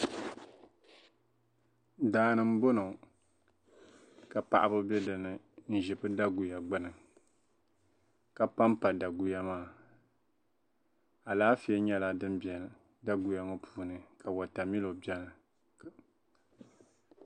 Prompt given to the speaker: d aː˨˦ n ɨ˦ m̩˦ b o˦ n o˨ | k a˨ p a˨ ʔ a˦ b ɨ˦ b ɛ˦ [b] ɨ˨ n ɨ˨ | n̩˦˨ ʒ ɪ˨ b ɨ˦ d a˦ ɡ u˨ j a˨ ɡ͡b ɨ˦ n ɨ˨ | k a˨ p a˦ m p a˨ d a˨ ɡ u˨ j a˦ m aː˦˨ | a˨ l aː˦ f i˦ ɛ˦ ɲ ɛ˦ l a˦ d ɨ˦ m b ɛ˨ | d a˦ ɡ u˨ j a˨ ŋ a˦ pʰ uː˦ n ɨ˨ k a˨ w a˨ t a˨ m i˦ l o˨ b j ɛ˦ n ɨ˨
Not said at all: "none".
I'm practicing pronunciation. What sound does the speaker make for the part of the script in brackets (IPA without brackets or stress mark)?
d